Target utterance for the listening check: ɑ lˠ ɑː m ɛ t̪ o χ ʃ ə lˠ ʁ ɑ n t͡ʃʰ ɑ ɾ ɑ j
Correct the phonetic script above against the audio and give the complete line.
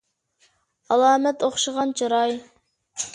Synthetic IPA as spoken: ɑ lˠ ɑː m ɛ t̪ o χ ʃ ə ʁ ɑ n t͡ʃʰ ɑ ɾ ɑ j